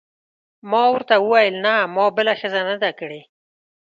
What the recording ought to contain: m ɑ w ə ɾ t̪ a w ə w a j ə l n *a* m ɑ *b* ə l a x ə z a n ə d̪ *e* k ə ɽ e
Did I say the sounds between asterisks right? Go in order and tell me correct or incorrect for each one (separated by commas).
correct, correct, incorrect